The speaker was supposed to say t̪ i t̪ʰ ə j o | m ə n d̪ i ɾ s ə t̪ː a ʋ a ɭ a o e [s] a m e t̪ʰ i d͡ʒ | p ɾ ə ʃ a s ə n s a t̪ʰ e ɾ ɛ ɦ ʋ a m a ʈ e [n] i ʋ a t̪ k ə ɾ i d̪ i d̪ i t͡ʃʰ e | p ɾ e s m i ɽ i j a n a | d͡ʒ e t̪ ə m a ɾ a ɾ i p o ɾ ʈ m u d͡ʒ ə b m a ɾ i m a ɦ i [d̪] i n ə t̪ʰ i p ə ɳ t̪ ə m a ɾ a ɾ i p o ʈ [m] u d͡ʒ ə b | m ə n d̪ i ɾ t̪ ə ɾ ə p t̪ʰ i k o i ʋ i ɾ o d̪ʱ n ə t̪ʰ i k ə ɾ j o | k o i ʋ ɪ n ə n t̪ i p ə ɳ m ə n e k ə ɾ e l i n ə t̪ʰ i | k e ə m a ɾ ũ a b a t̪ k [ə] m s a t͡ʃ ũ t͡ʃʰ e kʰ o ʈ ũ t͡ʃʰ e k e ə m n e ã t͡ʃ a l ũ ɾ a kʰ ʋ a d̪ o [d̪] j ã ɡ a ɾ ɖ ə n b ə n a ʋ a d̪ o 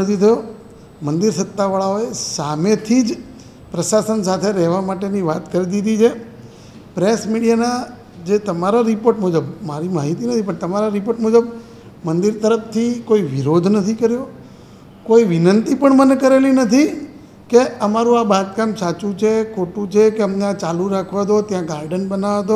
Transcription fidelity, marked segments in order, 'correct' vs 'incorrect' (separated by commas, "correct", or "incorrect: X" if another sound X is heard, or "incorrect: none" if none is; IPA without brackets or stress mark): correct, correct, incorrect: t̪, correct, incorrect: a, incorrect: t̪